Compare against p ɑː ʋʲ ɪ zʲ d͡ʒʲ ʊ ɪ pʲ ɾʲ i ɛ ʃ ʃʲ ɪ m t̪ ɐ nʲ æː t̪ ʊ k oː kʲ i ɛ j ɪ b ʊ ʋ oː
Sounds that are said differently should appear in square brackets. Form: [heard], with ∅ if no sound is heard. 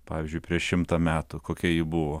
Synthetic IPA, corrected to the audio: p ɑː ʋʲ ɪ zʲ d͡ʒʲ ʊ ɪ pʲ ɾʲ i ɛ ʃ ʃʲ ɪ m t̪ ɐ [mʲ] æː t̪ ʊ k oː kʲ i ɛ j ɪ b ʊ ʋ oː